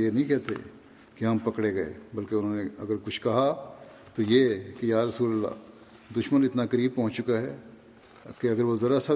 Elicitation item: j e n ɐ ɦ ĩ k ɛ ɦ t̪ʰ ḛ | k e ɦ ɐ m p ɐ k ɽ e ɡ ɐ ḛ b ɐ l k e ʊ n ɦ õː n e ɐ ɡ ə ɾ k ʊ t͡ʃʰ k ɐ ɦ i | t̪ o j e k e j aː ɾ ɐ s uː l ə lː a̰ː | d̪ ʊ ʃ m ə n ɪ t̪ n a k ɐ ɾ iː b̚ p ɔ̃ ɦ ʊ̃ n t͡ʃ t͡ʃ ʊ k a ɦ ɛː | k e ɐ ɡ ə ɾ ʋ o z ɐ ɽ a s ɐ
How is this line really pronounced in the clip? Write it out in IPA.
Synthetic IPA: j e n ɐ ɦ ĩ k ɛ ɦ t̪ʰ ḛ | k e ɦ ɐ m p ɐ k ɽ e ɡ ɐ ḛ b ɐ l k e ʊ n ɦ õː n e ɐ ɡ ə ɾ k ʊ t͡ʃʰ k ɐ ɦ a | t̪ o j e k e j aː ɾ ɐ s uː l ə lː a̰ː | d̪ ʊ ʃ m ə n ɪ t̪ n a k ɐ ɾ iː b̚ p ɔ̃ ɦ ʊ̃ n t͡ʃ t͡ʃ ʊ k a ɦ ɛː | k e ɐ ɡ ə ɾ ʋ o z ɐ ɾ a s ɐ